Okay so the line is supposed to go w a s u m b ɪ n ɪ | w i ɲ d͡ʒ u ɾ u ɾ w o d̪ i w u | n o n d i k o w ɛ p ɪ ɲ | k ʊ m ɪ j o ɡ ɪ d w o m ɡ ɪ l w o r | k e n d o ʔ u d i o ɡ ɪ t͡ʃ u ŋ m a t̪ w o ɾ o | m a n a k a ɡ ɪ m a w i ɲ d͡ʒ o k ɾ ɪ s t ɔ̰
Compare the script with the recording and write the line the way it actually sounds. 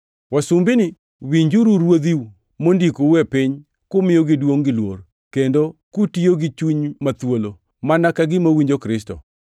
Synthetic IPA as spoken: w a s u m b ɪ n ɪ | w i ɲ d͡ʒ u ɾ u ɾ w o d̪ i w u | m o n d i k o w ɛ p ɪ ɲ | k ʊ m ɪ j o ɡ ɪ d w o ŋ ɡ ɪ l w o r | k e n d o k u t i o ɡ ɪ t͡ʃ u ɲ m a t̪ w o l o | m a n a k a ɡ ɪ m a w i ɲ d͡ʒ o k ɾ ɪ s t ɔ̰